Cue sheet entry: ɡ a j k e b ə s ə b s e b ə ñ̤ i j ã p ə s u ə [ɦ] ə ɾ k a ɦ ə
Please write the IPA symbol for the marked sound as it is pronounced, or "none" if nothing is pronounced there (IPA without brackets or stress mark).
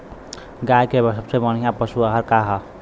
ɦ